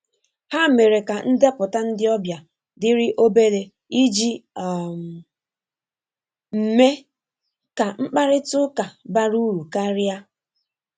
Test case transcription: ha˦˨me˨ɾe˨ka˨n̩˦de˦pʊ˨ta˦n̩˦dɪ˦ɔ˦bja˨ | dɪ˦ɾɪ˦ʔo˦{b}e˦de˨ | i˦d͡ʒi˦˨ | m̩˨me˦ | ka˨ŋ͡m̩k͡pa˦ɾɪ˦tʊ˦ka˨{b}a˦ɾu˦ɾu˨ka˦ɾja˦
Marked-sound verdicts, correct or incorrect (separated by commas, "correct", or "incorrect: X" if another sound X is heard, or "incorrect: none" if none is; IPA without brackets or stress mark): correct, correct